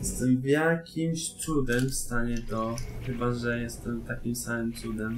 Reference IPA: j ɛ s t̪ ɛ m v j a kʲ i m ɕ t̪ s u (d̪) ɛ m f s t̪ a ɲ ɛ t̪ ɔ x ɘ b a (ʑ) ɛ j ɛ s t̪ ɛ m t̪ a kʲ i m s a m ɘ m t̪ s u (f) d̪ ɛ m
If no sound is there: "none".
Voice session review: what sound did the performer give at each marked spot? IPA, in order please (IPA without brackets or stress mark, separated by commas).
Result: d̪, ʐ, none